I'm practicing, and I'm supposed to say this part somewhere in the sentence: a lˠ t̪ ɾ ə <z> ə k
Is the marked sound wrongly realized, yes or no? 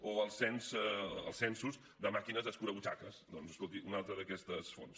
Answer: yes